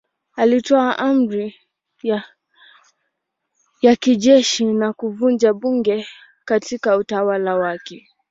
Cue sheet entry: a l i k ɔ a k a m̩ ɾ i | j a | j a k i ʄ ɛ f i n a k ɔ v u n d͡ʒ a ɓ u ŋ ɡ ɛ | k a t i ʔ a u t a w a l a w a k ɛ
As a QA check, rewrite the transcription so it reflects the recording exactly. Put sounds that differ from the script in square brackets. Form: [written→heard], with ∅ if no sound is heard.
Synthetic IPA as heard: a l i [k→t] ɔ a [k→ʔ] a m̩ ɾ i | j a | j a k i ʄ ɛ [f→ʃ] i n a k [ɔ→u] v u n d͡ʒ a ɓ u ŋ ɡ ɛ | k a t i [ʔ→k] a u t a w a l a w a k ɛ